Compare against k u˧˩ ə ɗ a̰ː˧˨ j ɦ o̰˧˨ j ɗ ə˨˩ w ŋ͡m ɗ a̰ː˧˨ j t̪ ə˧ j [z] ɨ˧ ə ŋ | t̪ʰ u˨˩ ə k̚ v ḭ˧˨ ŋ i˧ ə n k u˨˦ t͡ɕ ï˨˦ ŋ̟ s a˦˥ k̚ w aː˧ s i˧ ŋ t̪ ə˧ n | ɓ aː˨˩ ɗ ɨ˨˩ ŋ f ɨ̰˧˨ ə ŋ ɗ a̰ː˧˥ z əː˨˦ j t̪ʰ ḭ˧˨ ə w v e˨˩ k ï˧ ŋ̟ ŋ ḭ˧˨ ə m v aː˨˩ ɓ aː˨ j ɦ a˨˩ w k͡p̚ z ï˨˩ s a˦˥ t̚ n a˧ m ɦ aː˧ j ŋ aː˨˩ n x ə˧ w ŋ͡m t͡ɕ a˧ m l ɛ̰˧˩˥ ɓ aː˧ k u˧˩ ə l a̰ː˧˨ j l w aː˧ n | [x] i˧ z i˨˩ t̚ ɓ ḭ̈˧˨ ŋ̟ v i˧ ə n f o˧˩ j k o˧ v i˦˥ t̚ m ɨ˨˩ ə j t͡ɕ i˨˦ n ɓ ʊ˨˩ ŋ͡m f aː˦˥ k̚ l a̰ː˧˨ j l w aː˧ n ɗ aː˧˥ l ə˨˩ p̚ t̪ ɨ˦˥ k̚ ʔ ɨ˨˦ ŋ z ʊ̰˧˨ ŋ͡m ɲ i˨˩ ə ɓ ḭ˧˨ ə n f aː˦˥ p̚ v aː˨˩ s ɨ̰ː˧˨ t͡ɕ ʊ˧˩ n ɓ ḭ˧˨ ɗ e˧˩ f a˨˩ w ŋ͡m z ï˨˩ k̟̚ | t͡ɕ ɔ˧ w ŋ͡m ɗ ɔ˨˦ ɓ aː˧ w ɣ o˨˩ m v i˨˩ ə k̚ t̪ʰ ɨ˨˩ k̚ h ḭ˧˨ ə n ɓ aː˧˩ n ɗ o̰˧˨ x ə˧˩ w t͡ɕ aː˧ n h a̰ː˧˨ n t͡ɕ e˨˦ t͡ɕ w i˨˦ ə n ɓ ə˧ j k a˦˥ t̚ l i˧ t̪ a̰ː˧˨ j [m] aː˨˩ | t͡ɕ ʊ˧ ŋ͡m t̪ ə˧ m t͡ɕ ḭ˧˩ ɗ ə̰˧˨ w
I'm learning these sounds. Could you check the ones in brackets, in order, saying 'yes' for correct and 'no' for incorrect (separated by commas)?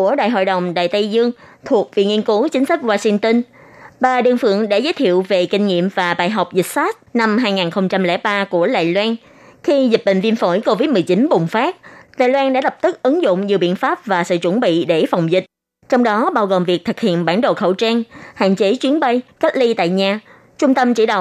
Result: yes, yes, no